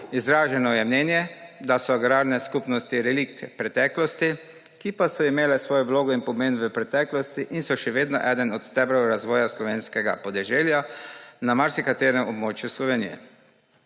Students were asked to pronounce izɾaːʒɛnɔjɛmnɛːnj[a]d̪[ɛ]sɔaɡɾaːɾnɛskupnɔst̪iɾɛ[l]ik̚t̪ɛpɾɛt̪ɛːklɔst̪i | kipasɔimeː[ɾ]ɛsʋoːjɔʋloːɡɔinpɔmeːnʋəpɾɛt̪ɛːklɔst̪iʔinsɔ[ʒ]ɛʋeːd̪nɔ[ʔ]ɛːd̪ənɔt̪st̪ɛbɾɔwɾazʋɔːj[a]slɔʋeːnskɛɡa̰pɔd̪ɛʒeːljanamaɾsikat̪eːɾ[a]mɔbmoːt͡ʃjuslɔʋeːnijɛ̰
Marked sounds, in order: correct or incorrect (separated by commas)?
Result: incorrect, incorrect, correct, incorrect, incorrect, correct, correct, incorrect